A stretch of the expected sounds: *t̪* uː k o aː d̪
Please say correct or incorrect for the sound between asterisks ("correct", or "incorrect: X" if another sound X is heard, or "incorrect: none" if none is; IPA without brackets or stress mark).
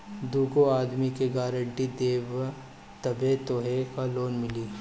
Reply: incorrect: d̪